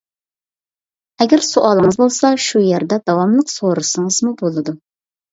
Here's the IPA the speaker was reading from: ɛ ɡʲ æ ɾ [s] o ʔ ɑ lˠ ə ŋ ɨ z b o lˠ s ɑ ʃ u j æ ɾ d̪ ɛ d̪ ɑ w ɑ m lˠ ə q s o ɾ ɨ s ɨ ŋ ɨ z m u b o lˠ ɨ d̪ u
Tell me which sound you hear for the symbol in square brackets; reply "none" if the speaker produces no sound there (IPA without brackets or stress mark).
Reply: s